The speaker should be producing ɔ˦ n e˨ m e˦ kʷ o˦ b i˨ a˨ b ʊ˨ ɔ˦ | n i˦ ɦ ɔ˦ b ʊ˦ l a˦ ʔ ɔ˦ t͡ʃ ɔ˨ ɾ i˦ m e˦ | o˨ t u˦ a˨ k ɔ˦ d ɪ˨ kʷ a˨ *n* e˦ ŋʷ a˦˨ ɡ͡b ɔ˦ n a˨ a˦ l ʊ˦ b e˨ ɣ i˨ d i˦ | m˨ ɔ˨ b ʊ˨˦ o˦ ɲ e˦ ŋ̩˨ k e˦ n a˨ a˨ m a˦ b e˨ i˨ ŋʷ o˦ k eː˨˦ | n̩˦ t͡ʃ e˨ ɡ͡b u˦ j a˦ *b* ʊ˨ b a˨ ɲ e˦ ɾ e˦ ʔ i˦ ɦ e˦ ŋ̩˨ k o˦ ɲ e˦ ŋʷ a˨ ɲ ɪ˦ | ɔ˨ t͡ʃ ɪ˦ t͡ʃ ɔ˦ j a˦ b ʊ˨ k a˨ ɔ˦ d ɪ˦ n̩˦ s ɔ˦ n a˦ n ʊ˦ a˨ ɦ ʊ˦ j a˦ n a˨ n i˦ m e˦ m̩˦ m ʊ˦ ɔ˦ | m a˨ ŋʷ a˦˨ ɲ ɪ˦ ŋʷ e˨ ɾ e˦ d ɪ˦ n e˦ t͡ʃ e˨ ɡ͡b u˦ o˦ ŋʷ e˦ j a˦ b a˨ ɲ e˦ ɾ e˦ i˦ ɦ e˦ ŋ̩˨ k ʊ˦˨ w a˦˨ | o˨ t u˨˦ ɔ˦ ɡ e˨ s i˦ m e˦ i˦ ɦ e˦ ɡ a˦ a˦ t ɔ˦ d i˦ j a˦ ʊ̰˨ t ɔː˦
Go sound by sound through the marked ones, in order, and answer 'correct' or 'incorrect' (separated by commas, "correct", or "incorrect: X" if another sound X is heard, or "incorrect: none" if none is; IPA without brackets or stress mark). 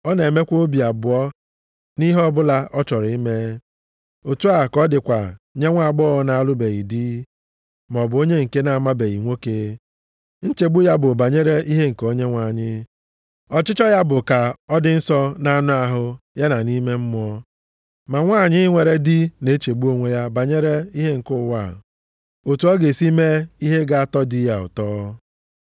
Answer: incorrect: ɲ, correct